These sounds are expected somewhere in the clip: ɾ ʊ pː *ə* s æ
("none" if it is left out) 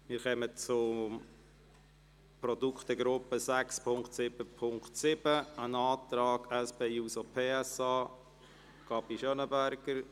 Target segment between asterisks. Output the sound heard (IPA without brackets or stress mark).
ə